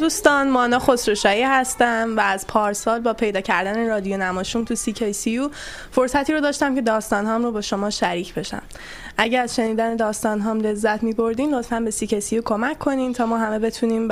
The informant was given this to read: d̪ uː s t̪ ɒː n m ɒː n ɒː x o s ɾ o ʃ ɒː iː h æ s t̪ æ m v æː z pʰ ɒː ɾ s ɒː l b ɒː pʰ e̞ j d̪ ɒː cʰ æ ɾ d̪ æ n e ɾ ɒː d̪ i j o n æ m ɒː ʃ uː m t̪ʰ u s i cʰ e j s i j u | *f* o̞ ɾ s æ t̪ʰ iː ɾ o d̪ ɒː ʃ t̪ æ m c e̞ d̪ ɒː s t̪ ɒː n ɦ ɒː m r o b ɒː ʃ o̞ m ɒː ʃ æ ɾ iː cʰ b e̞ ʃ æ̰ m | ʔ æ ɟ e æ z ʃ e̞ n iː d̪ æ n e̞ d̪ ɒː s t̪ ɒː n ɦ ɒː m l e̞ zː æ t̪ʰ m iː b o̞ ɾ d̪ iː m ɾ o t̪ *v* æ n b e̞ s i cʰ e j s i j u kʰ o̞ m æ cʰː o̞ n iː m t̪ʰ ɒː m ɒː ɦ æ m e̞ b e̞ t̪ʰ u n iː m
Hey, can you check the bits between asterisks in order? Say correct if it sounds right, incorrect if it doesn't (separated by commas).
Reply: correct, incorrect